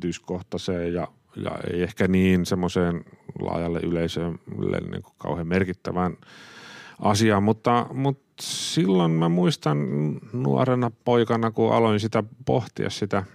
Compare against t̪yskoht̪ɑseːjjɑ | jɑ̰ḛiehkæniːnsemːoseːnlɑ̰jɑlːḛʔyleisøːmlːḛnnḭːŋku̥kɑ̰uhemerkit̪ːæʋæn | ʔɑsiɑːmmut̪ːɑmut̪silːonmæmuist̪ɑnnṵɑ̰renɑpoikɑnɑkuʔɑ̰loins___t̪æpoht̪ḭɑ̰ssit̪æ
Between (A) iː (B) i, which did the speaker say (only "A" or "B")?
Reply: B